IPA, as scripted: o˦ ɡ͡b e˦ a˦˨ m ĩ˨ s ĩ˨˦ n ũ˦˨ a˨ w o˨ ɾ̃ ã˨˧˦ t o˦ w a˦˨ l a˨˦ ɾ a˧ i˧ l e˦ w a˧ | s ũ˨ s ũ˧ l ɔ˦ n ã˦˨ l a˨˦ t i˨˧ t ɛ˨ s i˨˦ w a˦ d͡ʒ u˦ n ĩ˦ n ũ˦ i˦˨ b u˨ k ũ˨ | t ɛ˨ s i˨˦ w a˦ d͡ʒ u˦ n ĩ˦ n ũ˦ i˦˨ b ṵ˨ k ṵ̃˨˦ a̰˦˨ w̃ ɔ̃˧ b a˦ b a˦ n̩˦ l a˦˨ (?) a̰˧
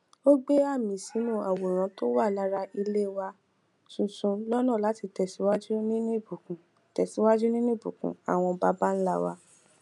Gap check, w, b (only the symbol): w